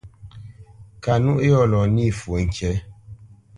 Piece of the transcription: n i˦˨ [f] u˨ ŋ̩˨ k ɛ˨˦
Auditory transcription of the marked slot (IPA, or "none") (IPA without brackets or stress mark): f